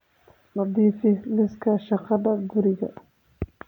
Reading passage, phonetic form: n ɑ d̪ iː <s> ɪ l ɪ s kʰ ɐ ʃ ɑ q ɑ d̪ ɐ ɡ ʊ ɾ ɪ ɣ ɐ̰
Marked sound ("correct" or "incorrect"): incorrect